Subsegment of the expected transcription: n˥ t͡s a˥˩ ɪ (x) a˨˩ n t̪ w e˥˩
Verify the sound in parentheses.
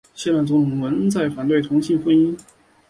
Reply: incorrect: f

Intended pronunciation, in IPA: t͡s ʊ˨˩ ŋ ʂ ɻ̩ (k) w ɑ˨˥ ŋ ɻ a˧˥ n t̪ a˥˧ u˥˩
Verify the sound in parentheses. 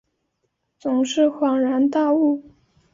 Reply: incorrect: x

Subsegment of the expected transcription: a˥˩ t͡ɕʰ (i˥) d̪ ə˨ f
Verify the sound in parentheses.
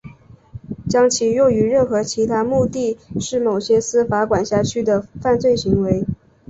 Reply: incorrect: y˥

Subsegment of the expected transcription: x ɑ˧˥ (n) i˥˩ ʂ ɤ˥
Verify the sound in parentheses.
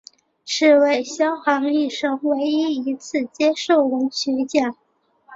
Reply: incorrect: ŋ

